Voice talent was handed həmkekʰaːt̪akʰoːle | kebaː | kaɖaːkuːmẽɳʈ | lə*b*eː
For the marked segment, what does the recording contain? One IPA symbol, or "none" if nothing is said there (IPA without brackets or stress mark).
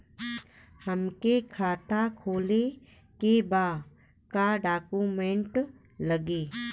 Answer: ɡ